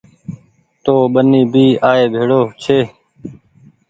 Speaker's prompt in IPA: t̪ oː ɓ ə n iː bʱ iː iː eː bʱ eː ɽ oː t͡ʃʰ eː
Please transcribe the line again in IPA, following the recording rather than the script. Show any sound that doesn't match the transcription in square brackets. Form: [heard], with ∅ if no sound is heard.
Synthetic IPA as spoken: t̪ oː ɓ ə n iː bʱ iː [aː] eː bʱ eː ɽ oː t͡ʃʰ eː